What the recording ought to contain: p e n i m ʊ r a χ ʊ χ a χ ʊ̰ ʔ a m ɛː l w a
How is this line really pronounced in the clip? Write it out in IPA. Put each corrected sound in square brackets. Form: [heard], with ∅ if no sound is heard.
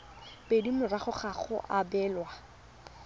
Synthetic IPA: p e [d] i m ʊ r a χ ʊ χ a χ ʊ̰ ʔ a [b] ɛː l w a